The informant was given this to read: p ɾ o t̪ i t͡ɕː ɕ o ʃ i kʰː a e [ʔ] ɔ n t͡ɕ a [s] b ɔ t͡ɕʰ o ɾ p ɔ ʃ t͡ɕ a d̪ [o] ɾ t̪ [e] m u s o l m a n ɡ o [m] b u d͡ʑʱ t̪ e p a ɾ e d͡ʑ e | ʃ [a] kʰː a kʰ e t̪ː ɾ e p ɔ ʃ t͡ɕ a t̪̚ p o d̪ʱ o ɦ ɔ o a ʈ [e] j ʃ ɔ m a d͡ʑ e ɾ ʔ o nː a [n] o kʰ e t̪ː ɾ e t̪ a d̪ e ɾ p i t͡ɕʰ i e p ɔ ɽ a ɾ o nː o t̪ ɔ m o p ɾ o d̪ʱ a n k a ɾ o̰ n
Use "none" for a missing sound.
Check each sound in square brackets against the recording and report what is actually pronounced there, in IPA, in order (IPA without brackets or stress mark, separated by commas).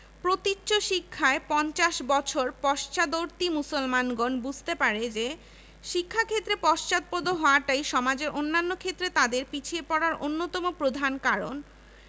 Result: p, ʃ, o, i, n, i, a, nː